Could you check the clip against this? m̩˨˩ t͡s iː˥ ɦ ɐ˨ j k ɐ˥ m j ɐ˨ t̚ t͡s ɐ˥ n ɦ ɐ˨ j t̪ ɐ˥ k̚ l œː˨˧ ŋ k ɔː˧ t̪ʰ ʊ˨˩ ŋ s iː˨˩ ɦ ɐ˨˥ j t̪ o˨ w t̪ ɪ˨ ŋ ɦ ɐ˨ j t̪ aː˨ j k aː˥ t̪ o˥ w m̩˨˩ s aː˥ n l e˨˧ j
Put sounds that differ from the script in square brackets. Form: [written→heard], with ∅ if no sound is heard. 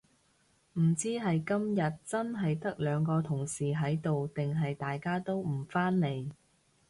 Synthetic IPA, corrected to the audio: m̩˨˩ t͡s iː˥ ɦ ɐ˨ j k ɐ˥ m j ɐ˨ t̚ t͡s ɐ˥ n ɦ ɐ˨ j t̪ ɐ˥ k̚ l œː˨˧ ŋ k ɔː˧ t̪ʰ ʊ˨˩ ŋ s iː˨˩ ɦ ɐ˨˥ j t̪ o˨ w t̪ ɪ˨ ŋ ɦ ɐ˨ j t̪ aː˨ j k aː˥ t̪ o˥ w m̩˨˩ [s→f] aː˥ n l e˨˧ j